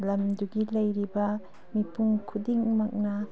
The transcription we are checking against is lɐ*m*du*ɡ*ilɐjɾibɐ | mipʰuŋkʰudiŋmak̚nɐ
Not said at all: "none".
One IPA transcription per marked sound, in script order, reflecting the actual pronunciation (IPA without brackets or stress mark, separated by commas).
m, ɡ